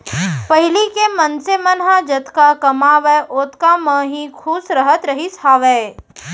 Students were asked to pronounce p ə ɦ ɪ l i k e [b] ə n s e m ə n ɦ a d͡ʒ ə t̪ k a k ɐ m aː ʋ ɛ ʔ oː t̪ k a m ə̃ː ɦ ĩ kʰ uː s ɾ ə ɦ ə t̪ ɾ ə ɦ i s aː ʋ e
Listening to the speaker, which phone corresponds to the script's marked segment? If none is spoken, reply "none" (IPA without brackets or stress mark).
m